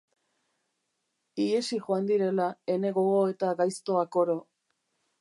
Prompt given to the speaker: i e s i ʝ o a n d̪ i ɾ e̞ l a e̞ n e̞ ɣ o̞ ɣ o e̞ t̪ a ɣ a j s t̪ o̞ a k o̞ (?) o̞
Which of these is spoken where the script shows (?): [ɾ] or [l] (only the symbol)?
ɾ